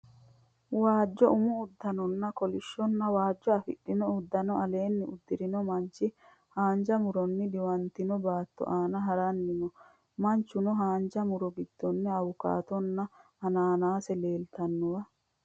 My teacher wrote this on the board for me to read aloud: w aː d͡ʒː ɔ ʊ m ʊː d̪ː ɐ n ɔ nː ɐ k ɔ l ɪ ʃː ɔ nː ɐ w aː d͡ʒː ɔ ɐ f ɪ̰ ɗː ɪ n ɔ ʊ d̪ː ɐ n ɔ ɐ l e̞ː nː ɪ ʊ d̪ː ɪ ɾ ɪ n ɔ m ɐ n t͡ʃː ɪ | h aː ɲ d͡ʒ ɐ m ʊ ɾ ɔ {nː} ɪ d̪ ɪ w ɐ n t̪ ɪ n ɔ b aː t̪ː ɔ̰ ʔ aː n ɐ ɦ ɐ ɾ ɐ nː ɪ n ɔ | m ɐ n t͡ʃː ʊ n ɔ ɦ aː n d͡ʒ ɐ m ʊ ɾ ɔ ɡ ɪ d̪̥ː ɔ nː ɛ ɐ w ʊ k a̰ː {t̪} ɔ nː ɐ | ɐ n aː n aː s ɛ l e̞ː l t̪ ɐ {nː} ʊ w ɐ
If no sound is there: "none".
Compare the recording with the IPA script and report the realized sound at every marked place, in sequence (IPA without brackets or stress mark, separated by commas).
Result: nː, t̪, nː